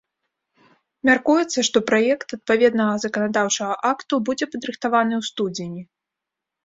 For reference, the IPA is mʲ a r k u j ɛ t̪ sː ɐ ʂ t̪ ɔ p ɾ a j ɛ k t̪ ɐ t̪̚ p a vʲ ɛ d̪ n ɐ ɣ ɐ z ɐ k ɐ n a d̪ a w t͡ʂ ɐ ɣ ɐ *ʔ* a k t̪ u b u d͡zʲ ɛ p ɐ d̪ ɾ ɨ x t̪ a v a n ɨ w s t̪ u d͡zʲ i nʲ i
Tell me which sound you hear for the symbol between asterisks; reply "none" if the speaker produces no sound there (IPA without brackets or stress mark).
ʔ